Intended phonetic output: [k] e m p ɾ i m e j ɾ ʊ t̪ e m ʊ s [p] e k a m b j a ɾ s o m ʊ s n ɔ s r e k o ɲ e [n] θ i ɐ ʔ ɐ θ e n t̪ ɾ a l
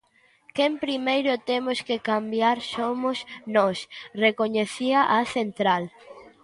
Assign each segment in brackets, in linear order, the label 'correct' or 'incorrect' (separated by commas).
correct, incorrect, incorrect